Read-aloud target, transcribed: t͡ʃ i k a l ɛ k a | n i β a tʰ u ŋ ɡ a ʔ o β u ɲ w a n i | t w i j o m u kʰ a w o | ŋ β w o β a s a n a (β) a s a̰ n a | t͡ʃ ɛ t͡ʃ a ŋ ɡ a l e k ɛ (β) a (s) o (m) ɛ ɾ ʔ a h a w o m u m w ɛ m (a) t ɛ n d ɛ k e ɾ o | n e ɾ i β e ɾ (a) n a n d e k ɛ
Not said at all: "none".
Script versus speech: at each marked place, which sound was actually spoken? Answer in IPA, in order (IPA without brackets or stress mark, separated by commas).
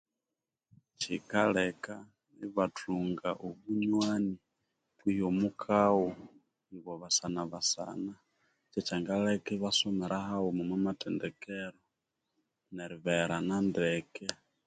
β, β, s, m, a, a